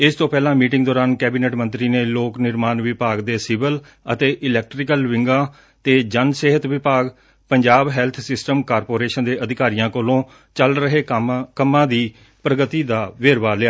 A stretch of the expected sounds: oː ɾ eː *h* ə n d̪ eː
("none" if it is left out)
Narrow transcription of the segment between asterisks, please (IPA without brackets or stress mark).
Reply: ʃ